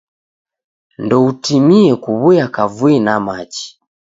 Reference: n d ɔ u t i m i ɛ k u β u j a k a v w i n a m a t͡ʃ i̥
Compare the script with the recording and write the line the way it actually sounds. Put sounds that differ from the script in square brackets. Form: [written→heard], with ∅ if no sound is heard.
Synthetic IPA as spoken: n d ɔ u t i m i ɛ k u β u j a k a v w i n a m a t͡ʃ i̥